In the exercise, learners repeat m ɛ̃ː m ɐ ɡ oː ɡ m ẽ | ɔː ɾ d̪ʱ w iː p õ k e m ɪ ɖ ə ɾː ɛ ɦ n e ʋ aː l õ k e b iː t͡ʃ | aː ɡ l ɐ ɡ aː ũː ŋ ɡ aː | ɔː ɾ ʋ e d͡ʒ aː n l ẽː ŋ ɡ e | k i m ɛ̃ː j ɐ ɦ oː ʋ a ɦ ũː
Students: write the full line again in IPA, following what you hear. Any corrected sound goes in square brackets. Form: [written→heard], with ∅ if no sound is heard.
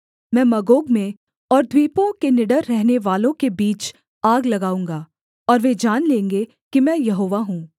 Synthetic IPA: m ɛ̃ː m ɐ ɡ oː ɡ m ẽ | ɔː ɾ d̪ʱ w iː p õ k e [m→n] ɪ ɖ ə ɾː ɛ ɦ n e ʋ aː l õ k e b iː t͡ʃ | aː ɡ l ɐ ɡ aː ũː ŋ ɡ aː | ɔː ɾ ʋ e d͡ʒ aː n l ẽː ŋ ɡ e | k i m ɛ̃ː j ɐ ɦ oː ʋ a ɦ ũː